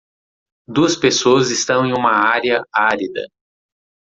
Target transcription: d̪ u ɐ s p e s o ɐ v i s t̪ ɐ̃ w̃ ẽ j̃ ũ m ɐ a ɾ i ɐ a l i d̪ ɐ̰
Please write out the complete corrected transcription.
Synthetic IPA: d̪ u ɐ s p e s o ɐ z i s t̪ ɐ̃ w̃ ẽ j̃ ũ m ɐ a ɾ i ɐ a ɾ i d̪ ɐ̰